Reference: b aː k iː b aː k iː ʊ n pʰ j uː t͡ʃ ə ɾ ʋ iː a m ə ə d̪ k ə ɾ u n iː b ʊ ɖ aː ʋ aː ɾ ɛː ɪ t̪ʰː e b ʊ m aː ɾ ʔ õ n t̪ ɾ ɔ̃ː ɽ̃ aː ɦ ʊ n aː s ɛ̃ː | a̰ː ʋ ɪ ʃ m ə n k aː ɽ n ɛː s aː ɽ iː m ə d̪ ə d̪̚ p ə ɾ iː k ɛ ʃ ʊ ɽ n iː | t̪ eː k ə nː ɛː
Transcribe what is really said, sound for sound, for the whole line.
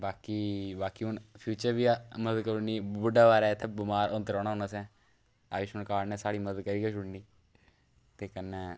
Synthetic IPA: b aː k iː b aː k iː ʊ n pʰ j uː t͡ʃ ə ɾ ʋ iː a m ə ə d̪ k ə ɾ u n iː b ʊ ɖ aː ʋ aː ɾ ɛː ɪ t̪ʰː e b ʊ m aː ɾ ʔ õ n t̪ ɾ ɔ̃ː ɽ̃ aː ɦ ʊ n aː s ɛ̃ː | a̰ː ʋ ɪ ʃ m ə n k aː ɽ n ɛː s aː ɽ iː m ə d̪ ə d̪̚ k ə ɾ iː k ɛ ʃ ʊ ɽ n iː | t̪ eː k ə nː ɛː